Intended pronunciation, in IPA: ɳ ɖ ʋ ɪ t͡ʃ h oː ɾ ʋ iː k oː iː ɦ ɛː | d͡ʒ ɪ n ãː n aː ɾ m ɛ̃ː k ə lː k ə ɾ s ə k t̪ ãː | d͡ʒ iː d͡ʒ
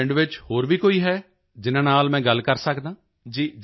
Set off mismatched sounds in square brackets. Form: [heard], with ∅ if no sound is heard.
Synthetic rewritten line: ɳ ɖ ʋ ɪ t͡ʃ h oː ɾ ʋ iː k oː iː ɦ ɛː | d͡ʒ ɪ n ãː n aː [l] m ɛ̃ː [ɡ] ə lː k ə ɾ s ə k [d̪] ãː | d͡ʒ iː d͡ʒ